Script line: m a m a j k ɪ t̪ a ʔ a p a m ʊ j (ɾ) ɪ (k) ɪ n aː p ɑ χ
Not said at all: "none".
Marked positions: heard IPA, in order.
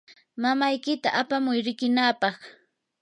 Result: ɾ, k

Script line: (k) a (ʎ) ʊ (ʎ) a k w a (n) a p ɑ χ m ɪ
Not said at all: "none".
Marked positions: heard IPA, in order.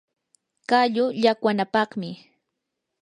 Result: k, ʎ, ʎ, n

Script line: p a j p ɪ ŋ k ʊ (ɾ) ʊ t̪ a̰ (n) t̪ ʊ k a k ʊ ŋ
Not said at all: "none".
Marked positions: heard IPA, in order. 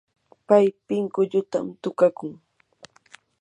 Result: ʎ, m

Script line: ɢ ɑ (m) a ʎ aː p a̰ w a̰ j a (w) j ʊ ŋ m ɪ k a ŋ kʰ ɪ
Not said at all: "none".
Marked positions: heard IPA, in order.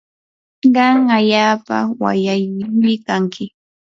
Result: ŋ, none

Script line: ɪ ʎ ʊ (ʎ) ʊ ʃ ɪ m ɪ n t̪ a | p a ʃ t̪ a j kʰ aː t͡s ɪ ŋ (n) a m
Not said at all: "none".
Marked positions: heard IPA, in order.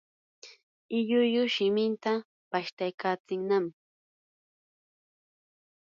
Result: j, n

